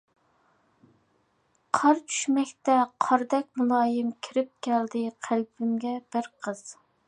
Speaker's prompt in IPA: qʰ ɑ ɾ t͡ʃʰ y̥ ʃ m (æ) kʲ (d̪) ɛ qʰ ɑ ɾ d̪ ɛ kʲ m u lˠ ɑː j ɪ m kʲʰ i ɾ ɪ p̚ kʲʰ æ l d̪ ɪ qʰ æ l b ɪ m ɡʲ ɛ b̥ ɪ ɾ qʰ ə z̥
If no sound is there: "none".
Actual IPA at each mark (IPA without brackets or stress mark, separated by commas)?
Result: ɛ, t̪